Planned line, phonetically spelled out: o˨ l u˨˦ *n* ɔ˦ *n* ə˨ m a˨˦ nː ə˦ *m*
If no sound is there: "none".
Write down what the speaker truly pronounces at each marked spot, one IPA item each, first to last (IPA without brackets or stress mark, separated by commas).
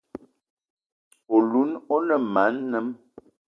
n, n, m